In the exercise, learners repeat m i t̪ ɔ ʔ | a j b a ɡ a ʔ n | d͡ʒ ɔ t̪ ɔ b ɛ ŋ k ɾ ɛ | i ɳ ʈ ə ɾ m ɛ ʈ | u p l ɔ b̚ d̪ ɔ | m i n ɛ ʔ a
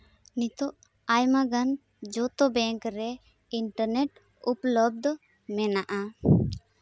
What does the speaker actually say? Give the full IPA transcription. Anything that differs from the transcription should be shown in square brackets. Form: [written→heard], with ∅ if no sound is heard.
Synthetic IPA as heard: [m→n] i t̪ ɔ ʔ | a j [b→m] a ɡ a [ʔ→∅] n | d͡ʒ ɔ t̪ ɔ b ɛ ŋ k ɾ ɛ | i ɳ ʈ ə ɾ [m→n] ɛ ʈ | u p l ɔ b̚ d̪ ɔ | m [i→ɛ] n [ɛ→a] ʔ a